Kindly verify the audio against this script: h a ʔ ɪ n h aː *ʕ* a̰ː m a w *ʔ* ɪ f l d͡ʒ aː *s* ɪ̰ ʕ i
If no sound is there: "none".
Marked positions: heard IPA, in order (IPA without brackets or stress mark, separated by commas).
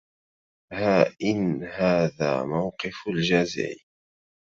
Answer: ð, q, z